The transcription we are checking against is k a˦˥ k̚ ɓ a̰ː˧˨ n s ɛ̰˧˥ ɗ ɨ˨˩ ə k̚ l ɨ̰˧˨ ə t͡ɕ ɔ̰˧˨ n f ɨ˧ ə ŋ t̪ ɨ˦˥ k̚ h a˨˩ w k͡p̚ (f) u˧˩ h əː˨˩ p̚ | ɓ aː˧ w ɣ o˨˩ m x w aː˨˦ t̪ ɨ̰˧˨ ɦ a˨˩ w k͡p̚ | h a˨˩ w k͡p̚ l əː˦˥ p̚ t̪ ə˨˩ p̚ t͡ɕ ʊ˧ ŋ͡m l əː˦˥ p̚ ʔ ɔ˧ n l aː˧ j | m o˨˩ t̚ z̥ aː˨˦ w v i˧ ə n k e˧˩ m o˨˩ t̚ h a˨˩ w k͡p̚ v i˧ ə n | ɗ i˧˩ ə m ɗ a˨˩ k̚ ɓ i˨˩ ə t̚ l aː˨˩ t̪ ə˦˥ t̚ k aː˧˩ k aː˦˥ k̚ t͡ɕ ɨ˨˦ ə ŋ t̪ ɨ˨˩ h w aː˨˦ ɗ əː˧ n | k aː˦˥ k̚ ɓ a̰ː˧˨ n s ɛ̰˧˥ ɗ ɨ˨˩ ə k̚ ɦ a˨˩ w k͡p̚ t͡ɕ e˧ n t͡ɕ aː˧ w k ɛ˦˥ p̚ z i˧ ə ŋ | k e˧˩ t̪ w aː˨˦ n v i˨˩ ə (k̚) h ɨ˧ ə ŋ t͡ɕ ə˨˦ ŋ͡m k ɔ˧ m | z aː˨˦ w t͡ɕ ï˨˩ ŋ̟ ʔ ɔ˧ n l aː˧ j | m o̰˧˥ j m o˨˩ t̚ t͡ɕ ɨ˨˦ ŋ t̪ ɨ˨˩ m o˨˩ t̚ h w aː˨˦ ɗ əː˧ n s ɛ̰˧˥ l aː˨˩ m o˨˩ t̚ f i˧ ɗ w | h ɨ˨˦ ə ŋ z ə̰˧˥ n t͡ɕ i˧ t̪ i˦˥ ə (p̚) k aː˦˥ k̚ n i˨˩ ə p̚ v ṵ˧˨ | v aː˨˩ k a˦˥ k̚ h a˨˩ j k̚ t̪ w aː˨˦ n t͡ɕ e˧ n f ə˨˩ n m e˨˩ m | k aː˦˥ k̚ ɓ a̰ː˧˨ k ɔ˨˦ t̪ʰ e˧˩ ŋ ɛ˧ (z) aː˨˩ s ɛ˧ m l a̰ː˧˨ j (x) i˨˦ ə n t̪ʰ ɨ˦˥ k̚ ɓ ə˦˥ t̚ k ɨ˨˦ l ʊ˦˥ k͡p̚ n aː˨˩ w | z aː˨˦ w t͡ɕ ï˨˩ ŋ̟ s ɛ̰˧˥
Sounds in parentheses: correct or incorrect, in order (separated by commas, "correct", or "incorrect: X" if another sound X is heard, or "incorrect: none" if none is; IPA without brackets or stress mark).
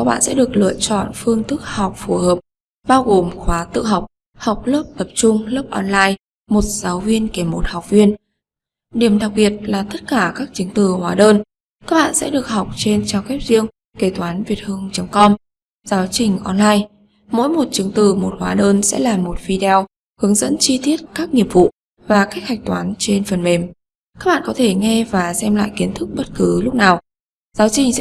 correct, incorrect: t̚, incorrect: t̚, incorrect: v, incorrect: k